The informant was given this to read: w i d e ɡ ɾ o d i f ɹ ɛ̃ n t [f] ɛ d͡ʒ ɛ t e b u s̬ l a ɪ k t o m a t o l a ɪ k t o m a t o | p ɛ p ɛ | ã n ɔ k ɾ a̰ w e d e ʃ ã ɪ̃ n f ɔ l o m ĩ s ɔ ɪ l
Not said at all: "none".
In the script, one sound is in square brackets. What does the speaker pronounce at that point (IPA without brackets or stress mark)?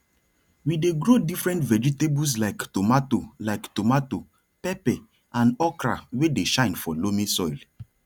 v